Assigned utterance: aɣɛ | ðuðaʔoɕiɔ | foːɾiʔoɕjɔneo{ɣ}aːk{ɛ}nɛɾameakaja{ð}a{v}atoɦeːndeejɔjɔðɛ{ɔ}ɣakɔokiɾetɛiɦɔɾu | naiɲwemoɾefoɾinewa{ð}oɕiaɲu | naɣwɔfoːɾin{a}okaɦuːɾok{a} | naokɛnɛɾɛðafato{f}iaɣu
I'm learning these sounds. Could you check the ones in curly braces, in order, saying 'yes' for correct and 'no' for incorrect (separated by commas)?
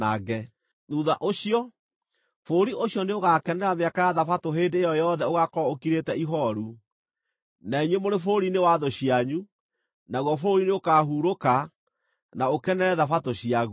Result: yes, yes, yes, no, no, yes, no, yes, no